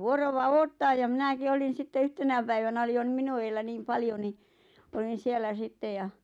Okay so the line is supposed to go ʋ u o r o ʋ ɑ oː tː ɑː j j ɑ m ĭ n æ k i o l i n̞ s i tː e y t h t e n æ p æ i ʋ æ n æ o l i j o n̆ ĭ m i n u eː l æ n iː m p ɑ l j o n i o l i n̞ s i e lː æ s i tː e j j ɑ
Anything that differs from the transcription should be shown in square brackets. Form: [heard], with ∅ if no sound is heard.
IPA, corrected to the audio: ʋ u o r o ʋ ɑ oː tː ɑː j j ɑ m ĭ n æ k i o l i n̞ s i tː e y [∅] h t e n æ p æ i ʋ æ n æ o l i j o n̆ ĭ m i n u eː [lː] æ n iː m p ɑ l j o n i o l i n̞ s i e lː æ s i tː e j j ɑ